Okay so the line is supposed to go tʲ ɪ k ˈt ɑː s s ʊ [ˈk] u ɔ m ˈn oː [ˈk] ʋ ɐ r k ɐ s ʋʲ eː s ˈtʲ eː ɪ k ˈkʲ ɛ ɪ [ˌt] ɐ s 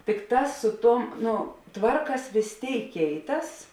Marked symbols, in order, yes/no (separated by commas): no, no, yes